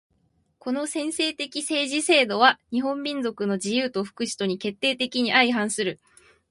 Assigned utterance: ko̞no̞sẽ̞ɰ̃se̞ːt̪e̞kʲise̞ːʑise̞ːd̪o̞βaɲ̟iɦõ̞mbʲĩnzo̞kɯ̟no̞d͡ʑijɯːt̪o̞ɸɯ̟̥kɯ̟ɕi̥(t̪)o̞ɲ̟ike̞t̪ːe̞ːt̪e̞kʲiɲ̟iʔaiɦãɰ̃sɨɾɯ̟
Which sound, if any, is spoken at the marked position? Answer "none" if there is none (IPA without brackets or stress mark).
t̪